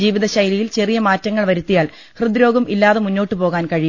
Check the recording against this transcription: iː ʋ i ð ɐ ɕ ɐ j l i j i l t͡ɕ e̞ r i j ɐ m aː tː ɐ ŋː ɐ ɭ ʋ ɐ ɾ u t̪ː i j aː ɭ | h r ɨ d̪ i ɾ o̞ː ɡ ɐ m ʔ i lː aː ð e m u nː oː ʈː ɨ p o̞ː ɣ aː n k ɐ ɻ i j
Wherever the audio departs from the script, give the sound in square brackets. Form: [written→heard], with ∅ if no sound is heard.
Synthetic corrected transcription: iː ʋ i ð ɐ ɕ ɐ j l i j i l t͡ɕ e̞ r i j ɐ m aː tː ɐ ŋː ɐ ɭ ʋ ɐ ɾ u t̪ː i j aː ɭ | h r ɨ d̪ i ɾ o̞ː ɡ ɐ m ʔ i lː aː ð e m u nː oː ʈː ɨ p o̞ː ɣ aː n k ɐ ɻ i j